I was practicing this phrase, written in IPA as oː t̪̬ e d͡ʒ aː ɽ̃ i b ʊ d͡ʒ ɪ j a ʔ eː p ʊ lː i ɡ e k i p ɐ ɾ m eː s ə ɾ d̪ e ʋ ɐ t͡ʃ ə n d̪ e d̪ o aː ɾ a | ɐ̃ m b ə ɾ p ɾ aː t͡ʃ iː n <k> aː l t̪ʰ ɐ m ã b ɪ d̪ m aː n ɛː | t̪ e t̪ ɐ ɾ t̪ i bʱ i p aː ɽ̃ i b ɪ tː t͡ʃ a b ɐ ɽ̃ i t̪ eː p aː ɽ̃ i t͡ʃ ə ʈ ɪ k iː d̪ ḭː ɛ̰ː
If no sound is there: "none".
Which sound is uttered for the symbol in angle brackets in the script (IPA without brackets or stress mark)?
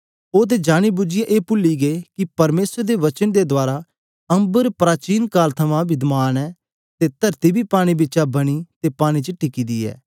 k